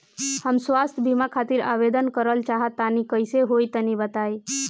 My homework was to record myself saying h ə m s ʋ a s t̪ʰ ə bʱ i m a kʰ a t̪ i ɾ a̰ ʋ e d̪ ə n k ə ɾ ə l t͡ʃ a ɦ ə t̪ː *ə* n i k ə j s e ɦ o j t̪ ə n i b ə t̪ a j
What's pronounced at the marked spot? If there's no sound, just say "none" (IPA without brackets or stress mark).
a